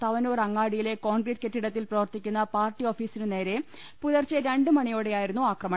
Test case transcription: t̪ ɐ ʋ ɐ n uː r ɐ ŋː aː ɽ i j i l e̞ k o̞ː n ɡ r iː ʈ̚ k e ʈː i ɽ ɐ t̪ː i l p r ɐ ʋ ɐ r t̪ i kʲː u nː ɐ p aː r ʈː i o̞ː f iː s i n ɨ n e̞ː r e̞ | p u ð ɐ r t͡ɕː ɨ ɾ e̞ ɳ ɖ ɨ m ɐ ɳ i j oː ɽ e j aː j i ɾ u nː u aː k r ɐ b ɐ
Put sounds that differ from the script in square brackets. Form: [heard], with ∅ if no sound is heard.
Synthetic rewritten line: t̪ ɐ ʋ ɐ n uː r ɐ ŋː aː ɽ i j i l e̞ k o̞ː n ɡ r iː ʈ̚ k e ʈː i ɽ ɐ t̪ː i l p r ɐ ʋ ɐ r t̪ i kʲː u nː ɐ p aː r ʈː i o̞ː f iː s i n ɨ n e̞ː [ɾ] e̞ | p u ð ɐ r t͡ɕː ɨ ɾ e̞ ɳ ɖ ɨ m ɐ ɳ i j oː ɽ e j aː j i ɾ u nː u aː k r ɐ [m] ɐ

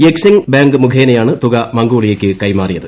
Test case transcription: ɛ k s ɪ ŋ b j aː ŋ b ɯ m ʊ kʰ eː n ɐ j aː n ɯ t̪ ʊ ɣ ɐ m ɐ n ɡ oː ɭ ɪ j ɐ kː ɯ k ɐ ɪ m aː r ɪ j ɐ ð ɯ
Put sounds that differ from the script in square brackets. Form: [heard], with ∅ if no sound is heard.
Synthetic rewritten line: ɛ k s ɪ ŋ b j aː ŋ [ɡ] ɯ m ʊ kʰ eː n ɐ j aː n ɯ t̪ ʊ ɣ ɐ m ɐ [ŋ] ɡ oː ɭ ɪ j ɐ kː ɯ k ɐ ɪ m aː r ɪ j ɐ ð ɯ

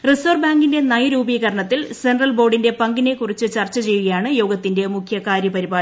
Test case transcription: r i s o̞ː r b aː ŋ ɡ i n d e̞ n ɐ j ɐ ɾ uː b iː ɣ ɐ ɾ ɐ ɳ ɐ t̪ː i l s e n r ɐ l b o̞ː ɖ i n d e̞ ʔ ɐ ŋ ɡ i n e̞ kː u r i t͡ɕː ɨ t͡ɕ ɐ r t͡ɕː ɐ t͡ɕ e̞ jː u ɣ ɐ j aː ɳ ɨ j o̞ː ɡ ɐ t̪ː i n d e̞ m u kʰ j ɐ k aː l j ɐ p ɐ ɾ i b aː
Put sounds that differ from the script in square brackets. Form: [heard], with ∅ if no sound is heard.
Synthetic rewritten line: r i s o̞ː r b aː ŋ ɡ i n d e̞ n ɐ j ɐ ɾ uː b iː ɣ ɐ ɾ ɐ ɳ ɐ t̪ː i l s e n r ɐ l b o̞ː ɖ i n d e̞ [p] ɐ ŋ ɡ i n e̞ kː u r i t͡ɕː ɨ t͡ɕ ɐ r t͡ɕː ɐ t͡ɕ e̞ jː u ɣ ɐ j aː ɳ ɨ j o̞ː ɡ ɐ t̪ː i n d e̞ m u kʰ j ɐ k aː [ɾ] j ɐ p ɐ ɾ i b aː

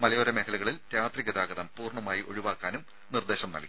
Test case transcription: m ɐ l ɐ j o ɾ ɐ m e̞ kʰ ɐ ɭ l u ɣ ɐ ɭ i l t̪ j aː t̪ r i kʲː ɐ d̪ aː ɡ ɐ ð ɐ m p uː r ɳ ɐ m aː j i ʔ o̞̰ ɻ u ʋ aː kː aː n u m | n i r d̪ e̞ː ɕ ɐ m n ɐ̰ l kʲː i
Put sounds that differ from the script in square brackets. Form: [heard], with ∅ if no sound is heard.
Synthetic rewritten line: m ɐ l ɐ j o ɾ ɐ m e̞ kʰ ɐ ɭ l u ɣ ɐ ɭ i l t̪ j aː t̪ r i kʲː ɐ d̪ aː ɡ ɐ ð ɐ m p uː r ɳ ɐ m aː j i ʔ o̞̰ ɻ u ʋ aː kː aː n u m | n i r d̪ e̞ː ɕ ɐ m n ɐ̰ l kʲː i

